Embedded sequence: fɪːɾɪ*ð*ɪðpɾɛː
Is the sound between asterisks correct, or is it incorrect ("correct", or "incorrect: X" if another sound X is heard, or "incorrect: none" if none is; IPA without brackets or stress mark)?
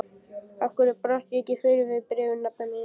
incorrect: v